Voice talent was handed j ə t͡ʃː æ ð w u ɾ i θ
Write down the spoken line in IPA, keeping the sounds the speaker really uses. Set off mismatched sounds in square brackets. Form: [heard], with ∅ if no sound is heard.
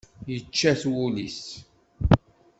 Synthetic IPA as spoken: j ə t͡ʃː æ [θ] w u [l] i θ